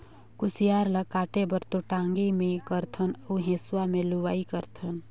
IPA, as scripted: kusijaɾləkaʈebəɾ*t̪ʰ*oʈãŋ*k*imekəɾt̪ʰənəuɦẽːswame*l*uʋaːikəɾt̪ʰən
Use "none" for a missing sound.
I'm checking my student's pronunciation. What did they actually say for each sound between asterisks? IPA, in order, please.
t̪, ɡ, l

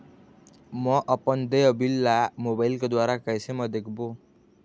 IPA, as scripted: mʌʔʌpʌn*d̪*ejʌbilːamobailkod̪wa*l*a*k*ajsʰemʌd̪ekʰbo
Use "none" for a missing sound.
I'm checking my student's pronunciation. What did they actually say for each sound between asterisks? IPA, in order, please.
d̪, ɾ, k

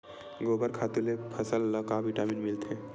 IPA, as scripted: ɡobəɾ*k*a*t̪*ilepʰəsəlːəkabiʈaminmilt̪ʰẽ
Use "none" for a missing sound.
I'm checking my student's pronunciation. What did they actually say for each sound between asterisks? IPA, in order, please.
kʰ, t̪

